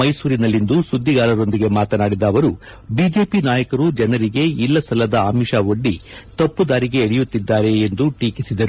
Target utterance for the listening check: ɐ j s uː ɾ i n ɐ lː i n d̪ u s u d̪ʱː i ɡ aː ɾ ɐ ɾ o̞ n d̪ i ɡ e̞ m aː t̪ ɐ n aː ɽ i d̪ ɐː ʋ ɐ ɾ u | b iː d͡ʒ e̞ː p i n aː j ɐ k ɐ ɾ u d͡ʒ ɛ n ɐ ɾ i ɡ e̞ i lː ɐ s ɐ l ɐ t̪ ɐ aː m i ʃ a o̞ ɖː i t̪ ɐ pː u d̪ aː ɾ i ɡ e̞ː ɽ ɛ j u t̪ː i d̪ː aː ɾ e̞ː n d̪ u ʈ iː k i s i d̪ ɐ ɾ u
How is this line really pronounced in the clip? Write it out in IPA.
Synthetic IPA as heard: ɐ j s uː ɾ i n ɐ lː i n d̪ u s u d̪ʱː i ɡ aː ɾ ɐ ɾ o̞ n d̪ i ɡ e̞ m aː t̪ ɐ n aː ɽ i d̪ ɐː ʋ ɐ ɾ u | b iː d͡ʒ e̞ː p i n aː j ɐ k ɐ ɾ u d͡ʒ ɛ n ɐ ɾ i ɡ e̞ i lː ɐ s ɐ l ɐ d̪ ɐ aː m i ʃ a o̞ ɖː i t̪ ɐ pː u d̪ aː ɾ i ɡ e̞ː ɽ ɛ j u t̪ː i d̪ː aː ɾ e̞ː n d̪ u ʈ iː k i s i d̪ ɐ ɾ u